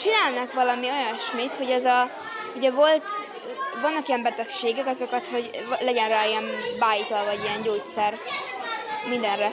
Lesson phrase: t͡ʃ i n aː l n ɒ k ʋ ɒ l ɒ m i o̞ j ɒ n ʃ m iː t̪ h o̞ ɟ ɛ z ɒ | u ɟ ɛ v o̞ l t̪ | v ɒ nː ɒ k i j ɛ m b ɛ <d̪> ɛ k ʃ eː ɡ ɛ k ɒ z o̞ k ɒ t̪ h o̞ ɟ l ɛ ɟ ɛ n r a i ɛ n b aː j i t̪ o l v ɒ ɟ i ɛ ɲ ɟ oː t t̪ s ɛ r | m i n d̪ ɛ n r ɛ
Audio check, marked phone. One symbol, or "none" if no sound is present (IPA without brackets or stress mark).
t̪